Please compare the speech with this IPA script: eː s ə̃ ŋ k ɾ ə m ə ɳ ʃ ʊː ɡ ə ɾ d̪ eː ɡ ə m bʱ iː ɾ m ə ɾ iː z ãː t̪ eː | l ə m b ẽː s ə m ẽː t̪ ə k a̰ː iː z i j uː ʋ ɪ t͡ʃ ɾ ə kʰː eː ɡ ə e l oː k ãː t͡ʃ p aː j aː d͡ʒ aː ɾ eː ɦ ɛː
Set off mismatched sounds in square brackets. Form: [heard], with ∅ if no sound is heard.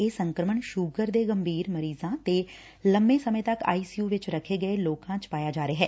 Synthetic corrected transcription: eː s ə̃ ŋ k ɾ ə m ə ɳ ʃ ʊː ɡ ə ɾ d̪ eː ɡ ə m bʱ iː ɾ m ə ɾ iː z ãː t̪ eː | l ə m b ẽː s ə m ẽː t̪ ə k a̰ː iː [s] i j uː ʋ ɪ t͡ʃ ɾ ə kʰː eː ɡ ə e l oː k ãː t͡ʃ p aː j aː d͡ʒ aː ɾ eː ɦ ɛː